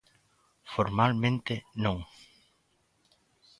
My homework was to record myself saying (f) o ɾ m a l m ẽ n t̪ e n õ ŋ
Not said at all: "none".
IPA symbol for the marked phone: f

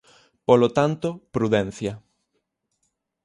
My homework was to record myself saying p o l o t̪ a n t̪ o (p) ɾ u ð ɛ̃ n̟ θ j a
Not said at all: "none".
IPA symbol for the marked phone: p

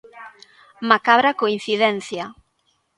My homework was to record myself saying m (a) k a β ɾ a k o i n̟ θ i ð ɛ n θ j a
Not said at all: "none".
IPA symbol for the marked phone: a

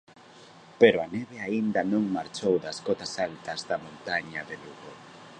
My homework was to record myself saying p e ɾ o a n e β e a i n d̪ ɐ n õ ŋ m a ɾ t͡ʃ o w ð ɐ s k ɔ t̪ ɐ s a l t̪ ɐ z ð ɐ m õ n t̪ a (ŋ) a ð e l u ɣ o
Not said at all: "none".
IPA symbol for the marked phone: ɲ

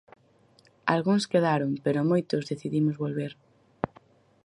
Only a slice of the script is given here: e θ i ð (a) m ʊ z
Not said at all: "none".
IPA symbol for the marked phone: i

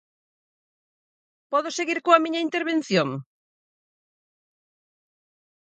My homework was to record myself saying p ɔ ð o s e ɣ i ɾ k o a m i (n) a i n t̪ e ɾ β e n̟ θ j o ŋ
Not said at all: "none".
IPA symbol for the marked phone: ɲ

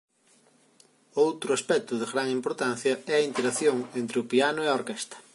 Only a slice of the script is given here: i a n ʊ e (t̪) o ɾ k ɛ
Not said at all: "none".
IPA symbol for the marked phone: none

